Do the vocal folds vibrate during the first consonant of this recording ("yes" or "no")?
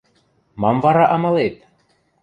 yes